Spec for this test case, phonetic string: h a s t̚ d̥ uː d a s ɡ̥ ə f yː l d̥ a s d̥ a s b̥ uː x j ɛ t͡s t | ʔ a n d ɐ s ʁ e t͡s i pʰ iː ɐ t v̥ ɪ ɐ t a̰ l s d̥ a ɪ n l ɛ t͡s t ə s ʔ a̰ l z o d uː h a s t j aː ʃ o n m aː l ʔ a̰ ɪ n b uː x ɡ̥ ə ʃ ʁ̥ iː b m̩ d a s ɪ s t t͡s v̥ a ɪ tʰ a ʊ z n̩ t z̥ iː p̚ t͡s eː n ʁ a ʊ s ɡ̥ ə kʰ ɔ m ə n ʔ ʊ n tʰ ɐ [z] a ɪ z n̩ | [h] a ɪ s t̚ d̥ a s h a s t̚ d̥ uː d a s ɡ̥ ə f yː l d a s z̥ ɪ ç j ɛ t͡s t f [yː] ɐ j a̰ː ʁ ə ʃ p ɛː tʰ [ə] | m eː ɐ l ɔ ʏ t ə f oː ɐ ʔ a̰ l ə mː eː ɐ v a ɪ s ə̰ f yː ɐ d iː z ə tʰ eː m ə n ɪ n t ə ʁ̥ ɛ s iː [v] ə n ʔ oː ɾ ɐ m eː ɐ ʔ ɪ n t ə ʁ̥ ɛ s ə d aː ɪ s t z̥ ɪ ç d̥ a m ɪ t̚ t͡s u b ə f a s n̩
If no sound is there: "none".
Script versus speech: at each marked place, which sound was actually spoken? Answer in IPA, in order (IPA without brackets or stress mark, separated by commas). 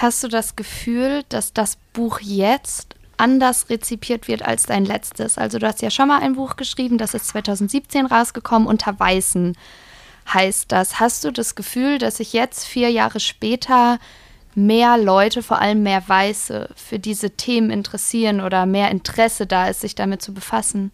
v, h, iː, ɐ, ʁ